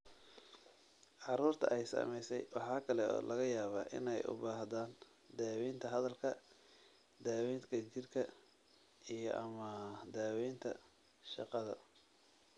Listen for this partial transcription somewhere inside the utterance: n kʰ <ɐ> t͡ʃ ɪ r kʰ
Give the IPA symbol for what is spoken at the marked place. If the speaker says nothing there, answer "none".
ɐ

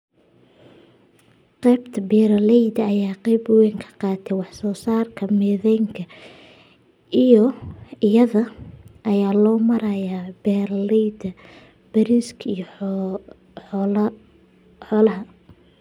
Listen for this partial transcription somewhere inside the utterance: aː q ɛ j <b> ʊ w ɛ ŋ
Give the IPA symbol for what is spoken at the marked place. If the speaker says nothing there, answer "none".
b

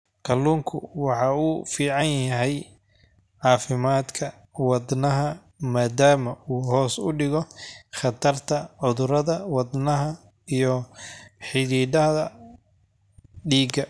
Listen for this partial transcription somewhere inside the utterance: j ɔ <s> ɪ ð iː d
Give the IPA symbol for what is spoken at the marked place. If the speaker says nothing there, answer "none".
ħ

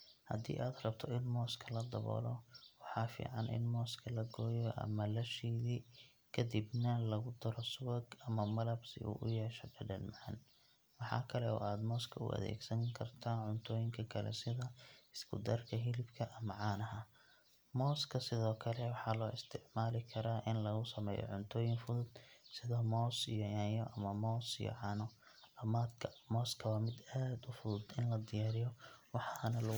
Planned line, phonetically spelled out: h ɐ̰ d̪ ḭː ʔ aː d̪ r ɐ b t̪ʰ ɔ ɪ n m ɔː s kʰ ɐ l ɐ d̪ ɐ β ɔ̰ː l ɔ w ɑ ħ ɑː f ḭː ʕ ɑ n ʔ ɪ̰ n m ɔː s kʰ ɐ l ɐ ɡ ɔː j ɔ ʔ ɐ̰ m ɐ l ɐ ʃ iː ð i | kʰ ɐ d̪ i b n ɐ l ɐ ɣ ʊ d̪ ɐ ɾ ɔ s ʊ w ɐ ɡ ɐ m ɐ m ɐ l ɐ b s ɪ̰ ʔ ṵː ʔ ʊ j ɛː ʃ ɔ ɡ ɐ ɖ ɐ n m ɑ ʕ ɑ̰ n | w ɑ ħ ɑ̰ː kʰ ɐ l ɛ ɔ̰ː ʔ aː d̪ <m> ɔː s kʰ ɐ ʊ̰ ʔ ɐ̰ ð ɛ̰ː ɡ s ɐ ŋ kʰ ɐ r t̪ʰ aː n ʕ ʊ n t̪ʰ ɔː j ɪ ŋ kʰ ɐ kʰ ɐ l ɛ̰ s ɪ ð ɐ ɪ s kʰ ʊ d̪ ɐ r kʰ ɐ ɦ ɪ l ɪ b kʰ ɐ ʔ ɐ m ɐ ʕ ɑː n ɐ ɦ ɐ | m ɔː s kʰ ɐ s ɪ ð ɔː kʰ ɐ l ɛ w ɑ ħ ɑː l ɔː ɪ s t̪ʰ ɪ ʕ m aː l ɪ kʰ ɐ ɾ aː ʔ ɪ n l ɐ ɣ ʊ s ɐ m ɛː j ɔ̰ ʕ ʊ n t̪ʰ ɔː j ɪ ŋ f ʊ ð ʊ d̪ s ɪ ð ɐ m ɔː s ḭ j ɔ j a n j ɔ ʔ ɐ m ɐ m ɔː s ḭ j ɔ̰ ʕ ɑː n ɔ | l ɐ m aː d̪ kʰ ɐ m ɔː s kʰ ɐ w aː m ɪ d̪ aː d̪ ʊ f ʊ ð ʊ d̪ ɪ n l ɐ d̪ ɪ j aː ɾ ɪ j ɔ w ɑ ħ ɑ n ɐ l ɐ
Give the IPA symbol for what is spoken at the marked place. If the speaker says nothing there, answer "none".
m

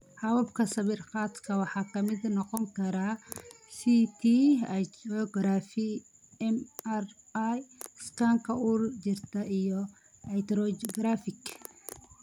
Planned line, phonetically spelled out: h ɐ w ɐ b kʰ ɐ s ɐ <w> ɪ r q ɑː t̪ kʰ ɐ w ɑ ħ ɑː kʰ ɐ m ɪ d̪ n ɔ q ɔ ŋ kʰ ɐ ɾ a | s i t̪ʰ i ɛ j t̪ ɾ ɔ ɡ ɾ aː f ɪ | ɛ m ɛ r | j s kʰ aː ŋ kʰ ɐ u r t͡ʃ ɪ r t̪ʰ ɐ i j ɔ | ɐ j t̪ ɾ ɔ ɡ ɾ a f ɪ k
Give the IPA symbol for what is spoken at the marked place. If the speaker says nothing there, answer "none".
β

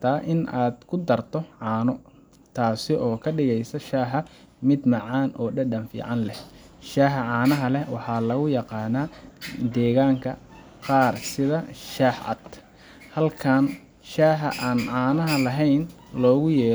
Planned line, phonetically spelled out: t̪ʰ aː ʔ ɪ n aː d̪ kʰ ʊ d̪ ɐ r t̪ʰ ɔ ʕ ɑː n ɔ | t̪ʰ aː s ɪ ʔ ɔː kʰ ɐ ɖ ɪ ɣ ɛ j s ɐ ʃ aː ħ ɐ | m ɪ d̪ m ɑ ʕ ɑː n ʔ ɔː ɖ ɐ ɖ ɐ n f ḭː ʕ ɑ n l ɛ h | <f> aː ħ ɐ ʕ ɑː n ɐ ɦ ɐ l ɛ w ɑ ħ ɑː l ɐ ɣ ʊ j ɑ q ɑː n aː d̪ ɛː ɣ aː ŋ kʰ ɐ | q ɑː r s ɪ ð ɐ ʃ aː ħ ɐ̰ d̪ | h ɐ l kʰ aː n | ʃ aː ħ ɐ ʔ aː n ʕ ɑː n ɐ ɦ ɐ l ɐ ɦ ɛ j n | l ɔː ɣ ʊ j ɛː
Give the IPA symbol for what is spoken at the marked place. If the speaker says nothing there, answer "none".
ʃ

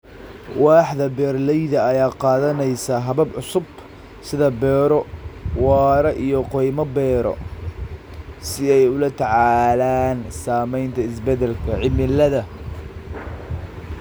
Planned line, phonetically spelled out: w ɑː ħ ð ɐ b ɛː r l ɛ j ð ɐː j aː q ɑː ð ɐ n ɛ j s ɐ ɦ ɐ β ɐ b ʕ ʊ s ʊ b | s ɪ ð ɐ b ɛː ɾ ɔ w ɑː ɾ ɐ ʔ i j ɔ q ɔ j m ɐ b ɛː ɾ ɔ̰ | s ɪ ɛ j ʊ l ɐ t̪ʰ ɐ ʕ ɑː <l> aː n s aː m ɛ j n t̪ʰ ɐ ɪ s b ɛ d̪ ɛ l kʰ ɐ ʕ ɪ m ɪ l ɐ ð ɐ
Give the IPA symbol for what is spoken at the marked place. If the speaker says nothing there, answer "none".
l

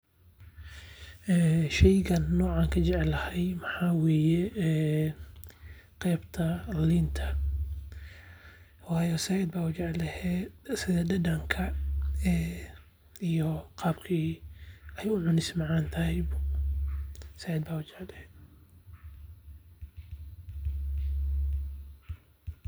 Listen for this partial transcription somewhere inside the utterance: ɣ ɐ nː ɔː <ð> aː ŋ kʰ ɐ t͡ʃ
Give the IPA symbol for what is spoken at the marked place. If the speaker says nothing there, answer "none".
ʕ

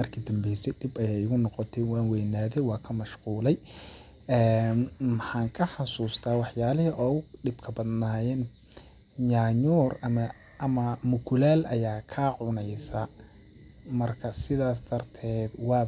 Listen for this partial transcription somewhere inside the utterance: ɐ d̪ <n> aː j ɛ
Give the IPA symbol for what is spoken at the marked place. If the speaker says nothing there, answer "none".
n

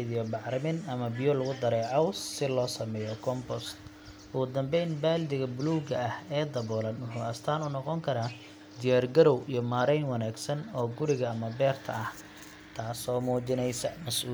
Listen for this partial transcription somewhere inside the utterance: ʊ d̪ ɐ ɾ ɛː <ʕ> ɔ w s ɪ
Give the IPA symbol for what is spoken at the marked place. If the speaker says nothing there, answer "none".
ʕ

